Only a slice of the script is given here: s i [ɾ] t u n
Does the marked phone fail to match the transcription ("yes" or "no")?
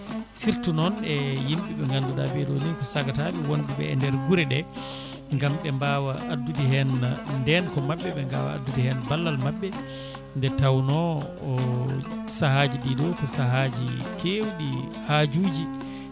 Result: no